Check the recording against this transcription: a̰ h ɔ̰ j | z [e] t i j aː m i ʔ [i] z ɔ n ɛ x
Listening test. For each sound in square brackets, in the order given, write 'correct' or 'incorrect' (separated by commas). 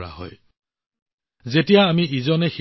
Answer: correct, correct